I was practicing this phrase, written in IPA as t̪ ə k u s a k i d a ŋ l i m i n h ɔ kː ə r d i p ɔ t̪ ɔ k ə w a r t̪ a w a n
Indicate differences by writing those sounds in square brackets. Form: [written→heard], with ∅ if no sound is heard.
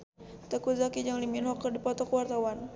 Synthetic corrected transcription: t̪ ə k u [s→z] a k i [d→d͡ʒ] a ŋ l i m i n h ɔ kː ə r d i p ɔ t̪ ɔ k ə w a r t̪ a w a n

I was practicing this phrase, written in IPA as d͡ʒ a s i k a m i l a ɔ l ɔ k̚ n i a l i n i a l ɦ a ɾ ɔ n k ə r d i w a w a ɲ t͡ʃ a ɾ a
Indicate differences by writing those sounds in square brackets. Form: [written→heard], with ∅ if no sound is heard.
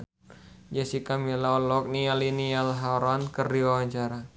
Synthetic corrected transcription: d͡ʒ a s i k a m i l a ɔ l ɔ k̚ n i a l i n i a l ɦ a ɾ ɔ n k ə r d i w a w a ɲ t͡ʃ a ɾ a

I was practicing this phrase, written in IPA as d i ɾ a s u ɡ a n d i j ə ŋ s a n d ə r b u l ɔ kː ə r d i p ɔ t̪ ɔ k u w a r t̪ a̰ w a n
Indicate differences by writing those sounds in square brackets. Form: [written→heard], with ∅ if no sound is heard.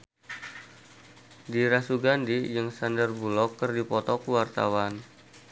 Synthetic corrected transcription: d i ɾ a s u ɡ a n d i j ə ŋ s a n d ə r b u l ɔ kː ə r d i p ɔ t̪ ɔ k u w a r t̪ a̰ w a n

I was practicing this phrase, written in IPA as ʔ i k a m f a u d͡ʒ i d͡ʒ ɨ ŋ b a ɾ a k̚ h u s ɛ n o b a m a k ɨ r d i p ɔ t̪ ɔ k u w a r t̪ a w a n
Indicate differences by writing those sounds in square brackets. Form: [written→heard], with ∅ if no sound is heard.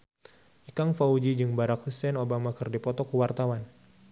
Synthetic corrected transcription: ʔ i k a [m→ŋ] f a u d͡ʒ i d͡ʒ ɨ ŋ b a ɾ a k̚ h u s ɛ n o b a m a k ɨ r d i p ɔ t̪ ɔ k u w a r t̪ a w a n

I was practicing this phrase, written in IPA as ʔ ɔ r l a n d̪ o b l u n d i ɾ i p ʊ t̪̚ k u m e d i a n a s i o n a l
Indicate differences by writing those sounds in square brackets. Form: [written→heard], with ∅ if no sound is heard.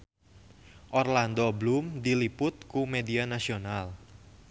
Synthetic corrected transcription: ʔ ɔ r l a n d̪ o b l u [n→m] d i [ɾ→l] i p ʊ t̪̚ k u m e d i a n a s i o n a l

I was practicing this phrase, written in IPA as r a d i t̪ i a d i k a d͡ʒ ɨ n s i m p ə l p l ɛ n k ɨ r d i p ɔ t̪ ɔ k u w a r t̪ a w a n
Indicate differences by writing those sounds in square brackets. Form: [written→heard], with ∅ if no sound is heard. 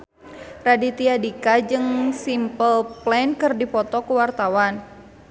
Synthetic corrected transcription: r a d i t̪ i a d i k a d͡ʒ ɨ [n→ŋ] s i m p ə l p l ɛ n k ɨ r d i p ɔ t̪ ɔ k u w a r t̪ a w a n

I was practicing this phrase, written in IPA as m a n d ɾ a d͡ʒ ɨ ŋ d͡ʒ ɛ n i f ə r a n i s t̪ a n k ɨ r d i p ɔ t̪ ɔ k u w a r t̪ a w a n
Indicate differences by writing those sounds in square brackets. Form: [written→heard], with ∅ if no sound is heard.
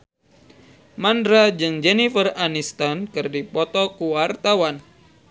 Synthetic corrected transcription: m a n d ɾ a d͡ʒ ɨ ŋ d͡ʒ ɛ n i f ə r a n i s t̪ a n k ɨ r d i p ɔ t̪ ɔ k u w a r t̪ a w a n

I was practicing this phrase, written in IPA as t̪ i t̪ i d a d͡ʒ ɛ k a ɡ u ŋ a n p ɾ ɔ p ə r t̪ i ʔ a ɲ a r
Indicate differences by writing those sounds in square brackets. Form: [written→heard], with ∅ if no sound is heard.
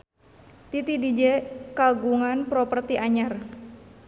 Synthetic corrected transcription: t̪ i t̪ i d [a→i] d͡ʒ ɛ k a ɡ u ŋ a n p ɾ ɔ p ə r t̪ i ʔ a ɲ a r

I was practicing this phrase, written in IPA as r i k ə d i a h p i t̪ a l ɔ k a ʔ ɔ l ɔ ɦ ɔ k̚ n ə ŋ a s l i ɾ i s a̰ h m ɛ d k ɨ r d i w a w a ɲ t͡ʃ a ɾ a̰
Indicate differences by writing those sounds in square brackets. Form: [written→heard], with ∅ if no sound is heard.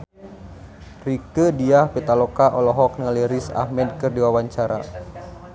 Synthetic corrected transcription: r i k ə d i a h p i t̪ a l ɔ k a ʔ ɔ l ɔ ɦ ɔ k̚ n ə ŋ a [s→∅] l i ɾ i s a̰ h m ɛ d k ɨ r d i w a w a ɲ t͡ʃ a ɾ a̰

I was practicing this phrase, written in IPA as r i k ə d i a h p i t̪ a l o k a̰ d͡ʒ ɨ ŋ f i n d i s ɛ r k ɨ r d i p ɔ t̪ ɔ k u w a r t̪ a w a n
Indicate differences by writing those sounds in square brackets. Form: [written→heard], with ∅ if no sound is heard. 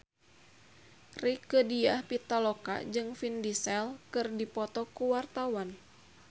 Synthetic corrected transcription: r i k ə d i a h p i t̪ a l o k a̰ d͡ʒ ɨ ŋ f i n d i s ɛ [r→l] k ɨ r d i p ɔ t̪ ɔ k u w a r t̪ a w a n

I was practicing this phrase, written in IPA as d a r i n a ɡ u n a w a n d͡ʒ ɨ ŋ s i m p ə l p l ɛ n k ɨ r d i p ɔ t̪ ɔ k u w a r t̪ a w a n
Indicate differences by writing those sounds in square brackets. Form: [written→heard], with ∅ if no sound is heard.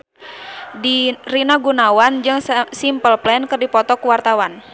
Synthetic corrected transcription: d [a→i] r i n a ɡ u n a w a n d͡ʒ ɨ ŋ s i m p ə l p l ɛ n k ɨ r d i p ɔ t̪ ɔ k u w a r t̪ a w a n

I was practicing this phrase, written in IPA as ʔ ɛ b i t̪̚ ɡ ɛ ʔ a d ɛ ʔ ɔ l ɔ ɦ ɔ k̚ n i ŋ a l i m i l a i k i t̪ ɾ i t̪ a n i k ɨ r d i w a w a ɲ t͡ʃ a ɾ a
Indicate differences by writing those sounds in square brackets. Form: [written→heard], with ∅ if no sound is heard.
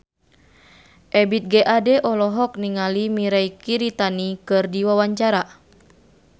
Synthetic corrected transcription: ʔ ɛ b i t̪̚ ɡ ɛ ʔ a d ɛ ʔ ɔ l ɔ ɦ ɔ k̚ n i ŋ a l i m i [l→ɾ] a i k i [t̪→∅] ɾ i t̪ a n i k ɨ r d i w a w a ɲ t͡ʃ a ɾ a

